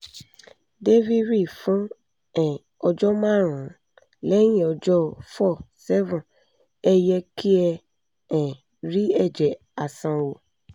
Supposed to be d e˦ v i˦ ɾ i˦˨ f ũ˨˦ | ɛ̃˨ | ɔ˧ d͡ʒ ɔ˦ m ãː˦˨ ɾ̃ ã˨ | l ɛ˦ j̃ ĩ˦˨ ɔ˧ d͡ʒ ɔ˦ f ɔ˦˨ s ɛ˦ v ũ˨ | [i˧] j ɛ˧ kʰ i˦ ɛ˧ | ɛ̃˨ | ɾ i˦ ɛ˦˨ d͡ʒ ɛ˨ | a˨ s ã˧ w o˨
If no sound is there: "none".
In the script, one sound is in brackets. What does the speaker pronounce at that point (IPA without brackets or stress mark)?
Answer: ɛ˧